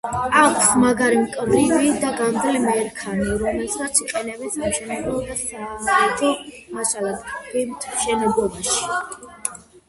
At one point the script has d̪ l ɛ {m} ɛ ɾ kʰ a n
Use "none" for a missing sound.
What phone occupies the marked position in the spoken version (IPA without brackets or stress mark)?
m